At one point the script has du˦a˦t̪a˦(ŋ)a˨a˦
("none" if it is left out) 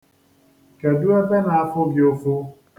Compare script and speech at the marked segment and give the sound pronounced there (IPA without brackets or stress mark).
n